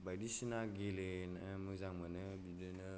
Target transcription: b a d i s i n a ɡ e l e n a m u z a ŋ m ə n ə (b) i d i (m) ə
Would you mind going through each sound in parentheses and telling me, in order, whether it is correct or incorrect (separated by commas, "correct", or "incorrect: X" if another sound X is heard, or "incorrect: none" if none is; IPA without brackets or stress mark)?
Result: correct, incorrect: n